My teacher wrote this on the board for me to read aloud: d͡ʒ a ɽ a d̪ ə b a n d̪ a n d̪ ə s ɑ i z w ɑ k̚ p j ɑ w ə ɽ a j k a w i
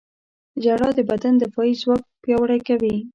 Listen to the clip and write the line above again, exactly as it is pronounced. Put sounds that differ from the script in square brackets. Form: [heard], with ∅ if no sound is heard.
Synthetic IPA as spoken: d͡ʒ a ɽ [ɑ] d̪ ə b a [∅] d̪ a n d̪ ə [f] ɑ i z w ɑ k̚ p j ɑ w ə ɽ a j k a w i